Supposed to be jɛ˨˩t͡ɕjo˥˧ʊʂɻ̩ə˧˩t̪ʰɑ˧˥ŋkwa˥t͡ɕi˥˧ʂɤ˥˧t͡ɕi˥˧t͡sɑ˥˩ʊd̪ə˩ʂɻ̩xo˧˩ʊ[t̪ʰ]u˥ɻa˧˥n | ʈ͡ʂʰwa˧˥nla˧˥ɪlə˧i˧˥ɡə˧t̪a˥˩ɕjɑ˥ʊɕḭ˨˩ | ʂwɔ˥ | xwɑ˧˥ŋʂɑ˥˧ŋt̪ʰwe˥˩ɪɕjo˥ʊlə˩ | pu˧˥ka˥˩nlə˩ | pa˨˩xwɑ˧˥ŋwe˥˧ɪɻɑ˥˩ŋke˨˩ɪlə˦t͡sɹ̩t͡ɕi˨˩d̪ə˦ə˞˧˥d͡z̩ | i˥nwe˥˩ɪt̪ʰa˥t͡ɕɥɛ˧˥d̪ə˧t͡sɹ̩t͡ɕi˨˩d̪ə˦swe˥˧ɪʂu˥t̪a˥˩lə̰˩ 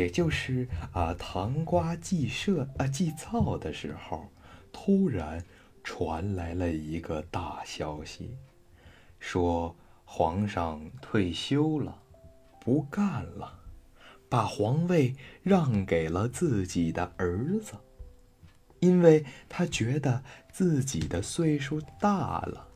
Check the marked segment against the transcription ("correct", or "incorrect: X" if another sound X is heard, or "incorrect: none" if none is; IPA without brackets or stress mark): correct